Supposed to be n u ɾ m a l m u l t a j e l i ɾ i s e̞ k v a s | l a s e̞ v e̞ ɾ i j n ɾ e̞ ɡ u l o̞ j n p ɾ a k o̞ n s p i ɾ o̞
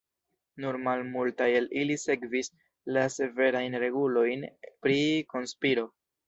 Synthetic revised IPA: n u ɾ m a l m u l t a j e l i l i s e̞ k v i s | l a s e̞ v e̞ ɾ a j n ɾ e̞ ɡ u l o̞ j n p ɾ i k o̞ n s p i ɾ o̞

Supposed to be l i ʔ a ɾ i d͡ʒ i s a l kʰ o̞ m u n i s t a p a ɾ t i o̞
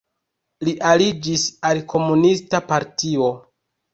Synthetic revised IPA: l i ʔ a l i d͡ʒ i s a l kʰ o̞ m u n i s t a p a ɾ t i o̞

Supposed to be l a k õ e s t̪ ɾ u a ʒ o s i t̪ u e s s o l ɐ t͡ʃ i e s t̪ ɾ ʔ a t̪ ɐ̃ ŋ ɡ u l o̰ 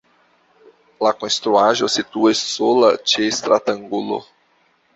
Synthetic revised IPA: l a k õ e s t̪ ɾ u a ʒ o s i t̪ u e s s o l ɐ t͡ʃ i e s t̪ ɾ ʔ a t̪ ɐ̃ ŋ ɡ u l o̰

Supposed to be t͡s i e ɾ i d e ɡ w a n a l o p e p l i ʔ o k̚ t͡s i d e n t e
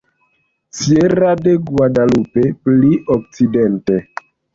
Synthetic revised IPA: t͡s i e ɾ a d e ɡ w a d a l u p e p l i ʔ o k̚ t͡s i d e n t e

